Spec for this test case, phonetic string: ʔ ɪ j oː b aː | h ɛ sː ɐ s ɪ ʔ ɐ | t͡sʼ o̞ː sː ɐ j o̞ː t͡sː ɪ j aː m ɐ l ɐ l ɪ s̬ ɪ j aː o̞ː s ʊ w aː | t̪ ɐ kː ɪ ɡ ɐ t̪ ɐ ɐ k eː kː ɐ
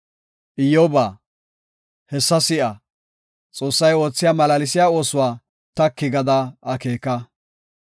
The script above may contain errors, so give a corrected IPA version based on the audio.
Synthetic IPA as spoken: ʔ ɪ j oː b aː | h ɛ sː ɐ s ɪ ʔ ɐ | t͡sʼ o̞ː sː ɐ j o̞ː t͡sː ɪ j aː m ɐ l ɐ l ɪ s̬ ɪ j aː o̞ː s ʊ w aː | t̪ ɐ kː ɪ ɡ ɐ d̪ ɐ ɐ k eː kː ɐ